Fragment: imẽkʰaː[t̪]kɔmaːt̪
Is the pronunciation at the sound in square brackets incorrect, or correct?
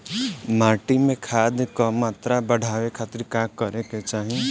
incorrect